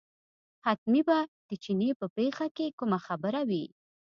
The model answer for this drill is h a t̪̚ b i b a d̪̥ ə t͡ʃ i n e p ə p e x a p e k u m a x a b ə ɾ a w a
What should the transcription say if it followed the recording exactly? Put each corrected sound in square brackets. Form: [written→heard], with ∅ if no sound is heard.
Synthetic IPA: h a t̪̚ [b→m] i b a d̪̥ ə t͡ʃ i n e p ə p e x a [p→k] e k u m a x a b ə ɾ a w [a→i]

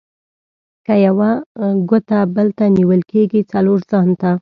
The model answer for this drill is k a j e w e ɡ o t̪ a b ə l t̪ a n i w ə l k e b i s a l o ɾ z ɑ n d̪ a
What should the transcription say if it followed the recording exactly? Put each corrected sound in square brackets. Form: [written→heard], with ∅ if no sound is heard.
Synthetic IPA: k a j [e→a] w [e→a] ɡ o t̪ a b ə l t̪ a n i w ə l k e [b→ɡ] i [s→t͡s] a l o ɾ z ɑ n [d̪→t̪] a

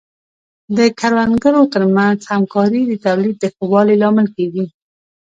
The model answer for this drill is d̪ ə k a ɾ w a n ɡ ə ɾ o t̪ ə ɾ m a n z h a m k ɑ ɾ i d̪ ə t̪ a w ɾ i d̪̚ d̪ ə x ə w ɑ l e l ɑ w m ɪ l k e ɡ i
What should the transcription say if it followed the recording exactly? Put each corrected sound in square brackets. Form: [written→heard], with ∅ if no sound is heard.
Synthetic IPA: d̪ ə k a ɾ w a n ɡ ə ɾ o t̪ ə ɾ m a n z h a m k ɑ ɾ i d̪ ə t̪ a w [ɾ→l] i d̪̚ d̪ ə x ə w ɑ l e l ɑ [w→∅] m ɪ l k e ɡ i

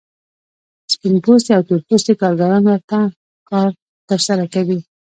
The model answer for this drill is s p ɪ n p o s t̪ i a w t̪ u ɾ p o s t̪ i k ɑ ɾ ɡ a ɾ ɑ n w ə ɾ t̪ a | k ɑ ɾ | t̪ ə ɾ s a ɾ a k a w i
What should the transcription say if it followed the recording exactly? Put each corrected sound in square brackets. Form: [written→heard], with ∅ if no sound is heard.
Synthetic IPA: s p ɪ n p o s t̪ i a w t̪ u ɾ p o s t̪ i k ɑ ɾ ɡ a ɾ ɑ n w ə ɾ t̪ a | k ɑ ɾ | t̪ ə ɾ s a ɾ a k a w i

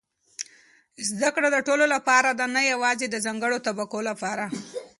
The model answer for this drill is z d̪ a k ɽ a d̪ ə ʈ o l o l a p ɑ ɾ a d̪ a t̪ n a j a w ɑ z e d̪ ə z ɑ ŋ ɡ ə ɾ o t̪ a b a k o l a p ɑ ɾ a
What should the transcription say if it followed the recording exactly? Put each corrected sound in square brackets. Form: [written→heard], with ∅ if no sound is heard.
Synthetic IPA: z d̪ a k ɽ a d̪ ə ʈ o l o l a p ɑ ɾ a d̪ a [t̪→∅] n a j a w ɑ z e d̪ ə z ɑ ŋ ɡ ə [ɾ→ɽ] o t̪ a b a k o l a p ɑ ɾ a

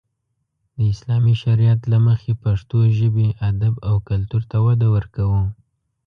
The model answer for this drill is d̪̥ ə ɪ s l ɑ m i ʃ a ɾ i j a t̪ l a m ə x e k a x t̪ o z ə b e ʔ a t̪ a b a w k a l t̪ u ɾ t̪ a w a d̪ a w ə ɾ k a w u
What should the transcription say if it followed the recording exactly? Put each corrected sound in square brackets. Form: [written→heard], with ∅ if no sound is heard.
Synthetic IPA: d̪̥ ə ɪ s l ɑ m i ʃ a ɾ i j a t̪ l a m ə x e [k→p] a [x→ʂ] t̪ o [z→ʒ] ə b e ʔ a [t̪→d̪] a b a w k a l t̪ u ɾ t̪ a w a d̪ a w ə ɾ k a w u

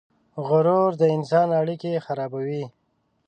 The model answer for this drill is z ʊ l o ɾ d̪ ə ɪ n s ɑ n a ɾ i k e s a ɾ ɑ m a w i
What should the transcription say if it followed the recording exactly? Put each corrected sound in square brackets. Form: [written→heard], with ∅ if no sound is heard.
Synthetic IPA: [z→ɣ] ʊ [l→ɾ] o ɾ d̪ ə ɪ n s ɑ n a [ɾ→ɽ] i k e [s→x] a ɾ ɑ [m→b] a w i

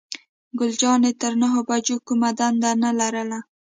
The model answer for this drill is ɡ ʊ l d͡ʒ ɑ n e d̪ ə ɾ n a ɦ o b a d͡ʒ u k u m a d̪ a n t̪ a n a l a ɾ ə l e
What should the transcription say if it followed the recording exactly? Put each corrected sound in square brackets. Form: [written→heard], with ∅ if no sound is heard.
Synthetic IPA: ɡ ʊ l d͡ʒ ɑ n e [d̪→t̪] ə ɾ n a ɦ o b a d͡ʒ [u→o] k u m a d̪ a n [t̪→d̪] a n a l a ɾ ə l [e→a]

